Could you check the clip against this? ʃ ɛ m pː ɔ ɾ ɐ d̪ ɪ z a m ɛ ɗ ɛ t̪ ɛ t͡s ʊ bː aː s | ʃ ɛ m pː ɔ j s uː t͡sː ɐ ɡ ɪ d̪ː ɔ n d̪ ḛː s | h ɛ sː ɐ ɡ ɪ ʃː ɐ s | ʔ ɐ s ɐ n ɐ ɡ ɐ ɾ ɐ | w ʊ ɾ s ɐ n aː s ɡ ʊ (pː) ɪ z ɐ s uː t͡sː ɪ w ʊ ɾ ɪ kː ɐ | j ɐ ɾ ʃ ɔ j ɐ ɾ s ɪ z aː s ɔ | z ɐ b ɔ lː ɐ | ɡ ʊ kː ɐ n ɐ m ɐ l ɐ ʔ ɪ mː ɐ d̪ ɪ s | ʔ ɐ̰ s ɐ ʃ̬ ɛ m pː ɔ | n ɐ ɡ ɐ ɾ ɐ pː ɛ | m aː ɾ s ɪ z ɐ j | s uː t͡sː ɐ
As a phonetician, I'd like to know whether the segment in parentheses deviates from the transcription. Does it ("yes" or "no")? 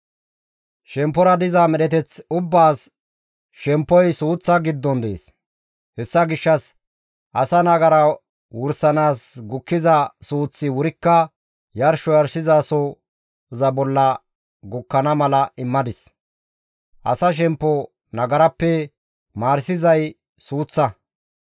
yes